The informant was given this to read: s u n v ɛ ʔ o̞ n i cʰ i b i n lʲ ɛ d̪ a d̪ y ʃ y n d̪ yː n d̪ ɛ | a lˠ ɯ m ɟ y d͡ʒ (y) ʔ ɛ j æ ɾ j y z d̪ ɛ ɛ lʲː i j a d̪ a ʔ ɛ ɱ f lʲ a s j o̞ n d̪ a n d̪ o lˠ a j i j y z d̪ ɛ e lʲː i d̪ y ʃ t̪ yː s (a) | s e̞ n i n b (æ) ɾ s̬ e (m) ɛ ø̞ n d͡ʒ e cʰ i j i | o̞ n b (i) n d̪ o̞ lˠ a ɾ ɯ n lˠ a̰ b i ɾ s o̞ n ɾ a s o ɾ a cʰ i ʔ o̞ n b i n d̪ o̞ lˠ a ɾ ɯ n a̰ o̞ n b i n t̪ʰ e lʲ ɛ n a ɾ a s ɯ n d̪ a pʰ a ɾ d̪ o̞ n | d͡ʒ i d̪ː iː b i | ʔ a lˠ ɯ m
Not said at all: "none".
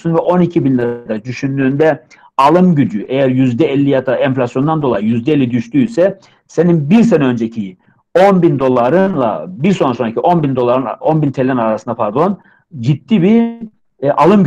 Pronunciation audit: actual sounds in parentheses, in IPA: y, ɛ, i, n, i

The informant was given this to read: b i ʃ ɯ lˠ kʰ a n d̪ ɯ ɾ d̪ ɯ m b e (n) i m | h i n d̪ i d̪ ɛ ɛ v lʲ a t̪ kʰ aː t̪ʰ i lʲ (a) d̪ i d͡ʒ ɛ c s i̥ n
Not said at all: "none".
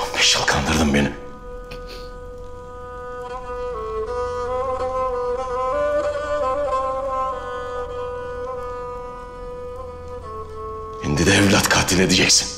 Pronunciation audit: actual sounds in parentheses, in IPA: n, e

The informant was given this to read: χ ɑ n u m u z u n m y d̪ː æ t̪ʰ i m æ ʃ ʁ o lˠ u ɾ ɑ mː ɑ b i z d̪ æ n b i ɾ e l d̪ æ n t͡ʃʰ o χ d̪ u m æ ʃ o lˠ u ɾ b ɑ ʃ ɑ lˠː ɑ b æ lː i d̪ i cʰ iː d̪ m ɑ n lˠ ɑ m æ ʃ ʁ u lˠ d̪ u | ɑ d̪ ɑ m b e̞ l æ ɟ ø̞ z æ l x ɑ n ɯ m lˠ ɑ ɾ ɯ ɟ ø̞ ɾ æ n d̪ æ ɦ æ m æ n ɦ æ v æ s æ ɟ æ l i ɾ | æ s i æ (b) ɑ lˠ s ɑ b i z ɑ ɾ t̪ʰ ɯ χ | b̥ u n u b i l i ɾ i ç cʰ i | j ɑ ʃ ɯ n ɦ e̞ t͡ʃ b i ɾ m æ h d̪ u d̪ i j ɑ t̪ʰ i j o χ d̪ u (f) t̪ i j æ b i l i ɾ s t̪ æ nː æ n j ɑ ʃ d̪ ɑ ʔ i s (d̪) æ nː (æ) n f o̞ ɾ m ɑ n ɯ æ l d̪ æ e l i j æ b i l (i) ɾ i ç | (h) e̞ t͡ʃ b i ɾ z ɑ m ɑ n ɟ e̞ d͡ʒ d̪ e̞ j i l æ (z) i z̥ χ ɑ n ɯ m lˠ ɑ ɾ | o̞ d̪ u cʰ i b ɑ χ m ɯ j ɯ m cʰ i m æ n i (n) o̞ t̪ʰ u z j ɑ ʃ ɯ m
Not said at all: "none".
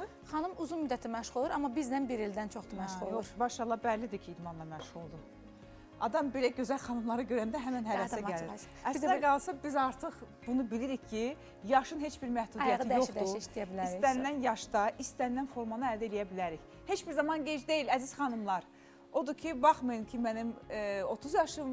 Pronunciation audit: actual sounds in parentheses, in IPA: ɡ, ʃ, t̪, æ, æ, h, z, m

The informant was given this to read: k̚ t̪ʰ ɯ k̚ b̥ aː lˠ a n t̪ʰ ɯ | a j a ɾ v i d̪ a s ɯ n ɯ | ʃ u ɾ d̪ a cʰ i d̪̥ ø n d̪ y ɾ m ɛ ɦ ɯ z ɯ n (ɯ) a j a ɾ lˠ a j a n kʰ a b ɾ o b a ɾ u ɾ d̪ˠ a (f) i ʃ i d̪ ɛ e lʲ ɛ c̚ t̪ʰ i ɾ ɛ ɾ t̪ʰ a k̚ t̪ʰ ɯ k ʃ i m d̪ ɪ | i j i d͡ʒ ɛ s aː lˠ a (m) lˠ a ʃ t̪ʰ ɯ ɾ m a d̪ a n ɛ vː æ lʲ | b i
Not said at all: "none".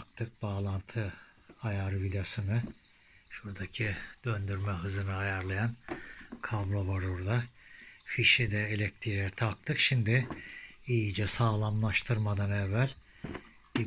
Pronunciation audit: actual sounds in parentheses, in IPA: ɯ, f, m

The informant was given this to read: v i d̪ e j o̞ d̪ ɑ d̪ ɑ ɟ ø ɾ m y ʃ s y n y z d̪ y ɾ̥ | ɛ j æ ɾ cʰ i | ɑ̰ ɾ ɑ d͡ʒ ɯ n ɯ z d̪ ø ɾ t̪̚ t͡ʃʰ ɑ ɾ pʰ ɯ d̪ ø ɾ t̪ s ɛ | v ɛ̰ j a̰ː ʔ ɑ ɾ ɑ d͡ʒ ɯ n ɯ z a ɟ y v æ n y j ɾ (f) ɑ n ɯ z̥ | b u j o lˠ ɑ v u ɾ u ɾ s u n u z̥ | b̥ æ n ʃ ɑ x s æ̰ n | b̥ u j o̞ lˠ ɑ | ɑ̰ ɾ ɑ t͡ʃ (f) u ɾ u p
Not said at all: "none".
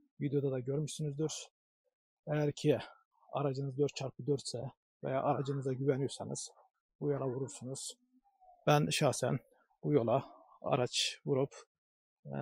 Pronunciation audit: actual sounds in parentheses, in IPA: s, v

